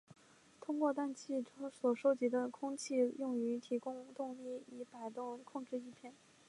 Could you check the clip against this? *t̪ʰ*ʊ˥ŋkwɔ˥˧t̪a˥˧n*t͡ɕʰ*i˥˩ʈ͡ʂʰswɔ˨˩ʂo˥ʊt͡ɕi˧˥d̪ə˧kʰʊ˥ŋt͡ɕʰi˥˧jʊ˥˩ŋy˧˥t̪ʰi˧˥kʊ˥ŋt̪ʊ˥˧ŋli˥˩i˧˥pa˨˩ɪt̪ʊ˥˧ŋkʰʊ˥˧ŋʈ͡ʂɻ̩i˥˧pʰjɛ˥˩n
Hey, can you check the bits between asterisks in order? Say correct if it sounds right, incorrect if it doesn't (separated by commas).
correct, correct